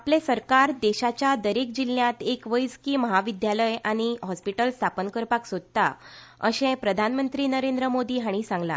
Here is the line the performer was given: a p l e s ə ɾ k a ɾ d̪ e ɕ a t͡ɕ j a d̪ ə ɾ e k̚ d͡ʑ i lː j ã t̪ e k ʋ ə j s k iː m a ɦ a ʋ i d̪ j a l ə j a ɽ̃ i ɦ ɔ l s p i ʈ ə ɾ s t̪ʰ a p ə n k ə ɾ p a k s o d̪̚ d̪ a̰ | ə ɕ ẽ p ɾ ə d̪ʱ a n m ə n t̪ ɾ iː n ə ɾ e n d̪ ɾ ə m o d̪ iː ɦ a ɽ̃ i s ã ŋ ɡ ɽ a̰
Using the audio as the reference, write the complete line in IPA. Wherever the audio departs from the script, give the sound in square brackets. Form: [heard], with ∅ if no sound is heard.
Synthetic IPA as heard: a p l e s ə ɾ k a ɾ d̪ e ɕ a t͡ɕ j a d̪ ə ɾ e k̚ d͡ʑ i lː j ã t̪ e k ʋ ə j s k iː m [ə] ɦ a ʋ i d̪ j a l ə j a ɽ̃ i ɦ ɔ [∅] s p i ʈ ə [l] s t̪ʰ a p ə n k ə ɾ p a k s o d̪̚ [t̪] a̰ | ə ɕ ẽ p ɾ ə d̪ʱ a n m ə n t̪ ɾ iː n ə ɾ e n d̪ ɾ ə m o d̪ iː ɦ a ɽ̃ i s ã ŋ ɡ [l] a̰